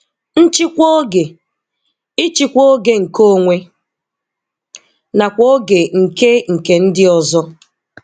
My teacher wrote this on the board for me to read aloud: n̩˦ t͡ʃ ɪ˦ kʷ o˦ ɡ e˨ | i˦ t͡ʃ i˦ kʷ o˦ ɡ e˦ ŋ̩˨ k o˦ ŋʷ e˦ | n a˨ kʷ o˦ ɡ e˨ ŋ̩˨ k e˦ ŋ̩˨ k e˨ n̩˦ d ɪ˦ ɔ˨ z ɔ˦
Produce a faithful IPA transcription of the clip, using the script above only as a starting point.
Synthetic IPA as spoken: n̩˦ t͡ʃ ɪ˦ kʷ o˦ ɡ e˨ | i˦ t͡ʃ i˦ kʷ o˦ ɡ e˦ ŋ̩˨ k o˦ ŋʷ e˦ | n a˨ kʷ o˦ ɡ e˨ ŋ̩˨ k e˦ ŋ̩˨ k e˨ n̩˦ d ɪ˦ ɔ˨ z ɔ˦